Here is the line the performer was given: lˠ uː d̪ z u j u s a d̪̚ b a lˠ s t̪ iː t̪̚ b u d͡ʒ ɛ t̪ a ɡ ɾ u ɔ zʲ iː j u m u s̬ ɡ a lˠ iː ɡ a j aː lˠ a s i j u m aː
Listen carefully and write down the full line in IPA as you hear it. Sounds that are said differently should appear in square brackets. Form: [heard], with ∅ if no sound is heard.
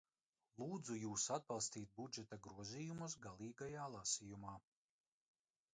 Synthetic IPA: lˠ uː d̪ z u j [uː] s a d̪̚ b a lˠ s t̪ iː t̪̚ b u d͡ʒ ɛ t̪ a ɡ ɾ u ɔ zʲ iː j u m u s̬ ɡ a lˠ iː ɡ a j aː lˠ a s i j u m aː